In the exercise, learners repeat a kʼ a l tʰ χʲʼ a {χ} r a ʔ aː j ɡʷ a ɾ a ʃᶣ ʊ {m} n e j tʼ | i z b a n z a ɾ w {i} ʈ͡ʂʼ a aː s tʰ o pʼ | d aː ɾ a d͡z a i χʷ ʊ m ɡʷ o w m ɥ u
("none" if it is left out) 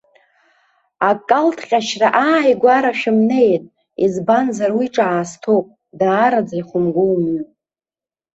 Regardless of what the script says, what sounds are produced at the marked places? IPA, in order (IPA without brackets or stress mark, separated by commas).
ʃ, m, i